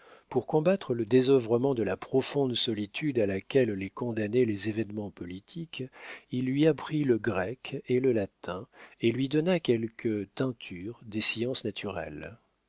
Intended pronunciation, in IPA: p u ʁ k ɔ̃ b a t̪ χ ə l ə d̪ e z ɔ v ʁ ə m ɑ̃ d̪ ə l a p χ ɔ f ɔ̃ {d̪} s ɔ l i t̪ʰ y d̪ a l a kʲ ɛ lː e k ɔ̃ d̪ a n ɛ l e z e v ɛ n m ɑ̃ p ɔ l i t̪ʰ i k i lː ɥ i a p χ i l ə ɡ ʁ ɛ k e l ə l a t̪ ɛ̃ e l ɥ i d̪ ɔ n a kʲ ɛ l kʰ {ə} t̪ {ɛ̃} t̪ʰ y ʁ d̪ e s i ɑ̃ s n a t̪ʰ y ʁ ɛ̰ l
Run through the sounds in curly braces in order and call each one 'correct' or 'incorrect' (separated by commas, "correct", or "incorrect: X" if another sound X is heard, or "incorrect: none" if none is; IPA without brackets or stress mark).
correct, correct, correct